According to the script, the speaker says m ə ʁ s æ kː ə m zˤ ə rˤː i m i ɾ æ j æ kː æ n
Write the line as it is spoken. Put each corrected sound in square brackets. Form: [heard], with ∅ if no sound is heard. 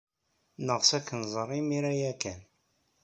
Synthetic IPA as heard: [n] ə ʁ s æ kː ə [n] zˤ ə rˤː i m i ɾ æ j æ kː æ n